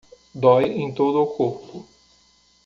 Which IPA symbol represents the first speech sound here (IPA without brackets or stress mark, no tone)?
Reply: d̪